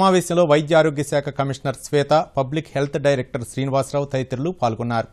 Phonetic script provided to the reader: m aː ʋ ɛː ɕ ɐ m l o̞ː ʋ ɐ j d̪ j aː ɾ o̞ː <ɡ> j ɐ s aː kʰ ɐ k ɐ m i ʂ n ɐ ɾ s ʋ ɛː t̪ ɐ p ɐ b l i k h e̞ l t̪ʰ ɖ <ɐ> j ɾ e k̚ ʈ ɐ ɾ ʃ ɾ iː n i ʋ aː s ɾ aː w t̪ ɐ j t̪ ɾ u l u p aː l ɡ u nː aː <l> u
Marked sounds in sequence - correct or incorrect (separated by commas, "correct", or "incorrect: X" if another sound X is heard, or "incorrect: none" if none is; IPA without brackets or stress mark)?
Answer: correct, correct, incorrect: ɾ